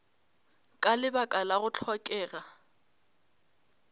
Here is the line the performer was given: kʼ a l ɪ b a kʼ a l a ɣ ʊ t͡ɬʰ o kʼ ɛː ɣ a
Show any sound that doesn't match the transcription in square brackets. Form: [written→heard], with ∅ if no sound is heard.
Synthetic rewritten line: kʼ a l ɪ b a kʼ a l a ɣ ʊ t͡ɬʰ [o→ɔ] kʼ ɛː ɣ a

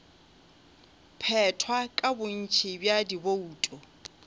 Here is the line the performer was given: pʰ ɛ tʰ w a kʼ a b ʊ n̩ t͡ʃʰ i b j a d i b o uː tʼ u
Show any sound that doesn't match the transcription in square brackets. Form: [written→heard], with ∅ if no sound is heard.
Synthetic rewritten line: pʰ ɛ tʰ w a kʼ a b ʊ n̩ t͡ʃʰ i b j a d i b o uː tʼ [u→ɔ]

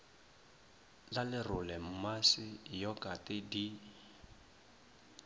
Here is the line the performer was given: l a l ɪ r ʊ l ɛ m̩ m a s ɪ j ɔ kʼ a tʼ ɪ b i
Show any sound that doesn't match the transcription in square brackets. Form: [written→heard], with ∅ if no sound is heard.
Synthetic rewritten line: l a l ɪ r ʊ l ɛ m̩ m a s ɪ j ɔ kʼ a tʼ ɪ [b→d] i

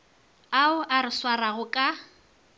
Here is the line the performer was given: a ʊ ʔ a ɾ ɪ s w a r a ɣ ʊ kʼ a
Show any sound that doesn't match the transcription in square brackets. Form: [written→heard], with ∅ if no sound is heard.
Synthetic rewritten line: a ʊ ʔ a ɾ ɪ s w a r a ɣ ʊ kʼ a

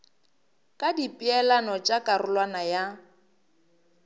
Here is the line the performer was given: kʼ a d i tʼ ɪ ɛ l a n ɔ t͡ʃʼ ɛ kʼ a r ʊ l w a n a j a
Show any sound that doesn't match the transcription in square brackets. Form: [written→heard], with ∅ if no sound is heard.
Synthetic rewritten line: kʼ a d i [tʼ→pʼ] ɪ ɛ l a n ɔ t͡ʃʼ [ɛ→a] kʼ a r ʊ l w a n a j a

